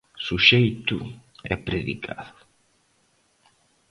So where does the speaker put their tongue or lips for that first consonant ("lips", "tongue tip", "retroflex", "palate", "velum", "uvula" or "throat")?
tongue tip